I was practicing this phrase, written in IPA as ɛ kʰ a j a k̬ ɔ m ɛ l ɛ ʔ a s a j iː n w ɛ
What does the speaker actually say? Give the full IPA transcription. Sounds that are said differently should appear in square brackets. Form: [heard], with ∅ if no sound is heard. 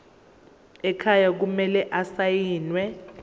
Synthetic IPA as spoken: ɛ kʰ a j a k̬ [u] m ɛ l ɛ ʔ a s a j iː n w ɛ

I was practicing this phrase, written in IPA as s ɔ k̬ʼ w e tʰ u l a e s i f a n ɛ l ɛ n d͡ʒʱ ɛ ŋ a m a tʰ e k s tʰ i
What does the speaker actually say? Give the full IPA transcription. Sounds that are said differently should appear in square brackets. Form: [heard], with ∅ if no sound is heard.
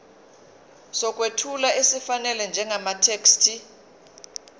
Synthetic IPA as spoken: s ɔ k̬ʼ w e tʰ u l a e s i f a n ɛ l ɛ n d͡ʒʱ ɛ ŋ a m a tʰ e k s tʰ i

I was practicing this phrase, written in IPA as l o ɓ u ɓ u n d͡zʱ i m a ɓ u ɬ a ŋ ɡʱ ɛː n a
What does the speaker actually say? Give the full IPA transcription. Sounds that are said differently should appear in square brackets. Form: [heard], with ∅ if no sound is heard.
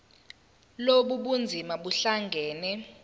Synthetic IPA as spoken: l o ɓ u ɓ u n d͡zʱ i m a ɓ u ɬ a ŋ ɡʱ ɛː n [ɛ]

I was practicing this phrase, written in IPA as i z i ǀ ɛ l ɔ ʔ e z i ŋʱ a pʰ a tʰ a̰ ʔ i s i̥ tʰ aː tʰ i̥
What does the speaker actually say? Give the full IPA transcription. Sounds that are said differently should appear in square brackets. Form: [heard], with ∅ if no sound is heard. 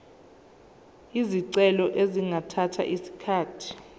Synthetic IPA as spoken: i z i ǀ ɛ l ɔ ʔ e z i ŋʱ a [tʰ] a tʰ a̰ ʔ i s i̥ [kʰ] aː tʰ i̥

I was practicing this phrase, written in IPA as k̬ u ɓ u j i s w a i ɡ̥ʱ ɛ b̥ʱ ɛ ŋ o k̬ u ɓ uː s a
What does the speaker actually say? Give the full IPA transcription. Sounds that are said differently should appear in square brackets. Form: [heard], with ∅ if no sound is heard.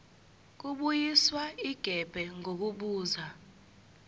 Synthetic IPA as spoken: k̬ u ɓ u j i s w a i ɡ̥ʱ ɛ b̥ʱ ɛ ŋ o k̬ u ɓ uː [z] a

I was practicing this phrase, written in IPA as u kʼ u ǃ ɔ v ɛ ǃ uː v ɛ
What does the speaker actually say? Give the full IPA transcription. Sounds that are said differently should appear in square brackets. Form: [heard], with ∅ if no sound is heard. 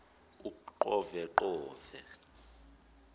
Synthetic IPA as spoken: u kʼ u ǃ ɔ v ɛ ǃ [ɔː] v ɛ

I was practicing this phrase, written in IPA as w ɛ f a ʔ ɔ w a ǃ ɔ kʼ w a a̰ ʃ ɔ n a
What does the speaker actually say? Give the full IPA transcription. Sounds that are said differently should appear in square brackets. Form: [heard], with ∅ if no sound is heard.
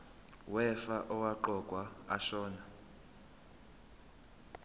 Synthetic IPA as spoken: w ɛ f a ʔ ɔ w a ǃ ɔ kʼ w a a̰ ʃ [ɔː] n a

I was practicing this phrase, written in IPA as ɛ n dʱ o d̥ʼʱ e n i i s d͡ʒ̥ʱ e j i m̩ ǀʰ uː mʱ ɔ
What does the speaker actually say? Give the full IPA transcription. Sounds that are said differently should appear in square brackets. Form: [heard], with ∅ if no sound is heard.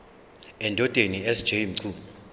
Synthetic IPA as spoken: ɛ n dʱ [ɔ] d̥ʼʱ e n i [ɛ] s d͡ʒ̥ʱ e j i m̩ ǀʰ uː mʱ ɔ

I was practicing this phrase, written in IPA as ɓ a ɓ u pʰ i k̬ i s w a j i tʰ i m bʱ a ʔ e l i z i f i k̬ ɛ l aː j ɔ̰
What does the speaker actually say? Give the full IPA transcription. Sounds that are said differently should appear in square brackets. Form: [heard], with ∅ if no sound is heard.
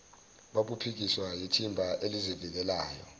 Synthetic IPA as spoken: ɓ a ɓ u pʰ i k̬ i s w a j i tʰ i m bʱ a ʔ e l i z i [v] i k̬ ɛ l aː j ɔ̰

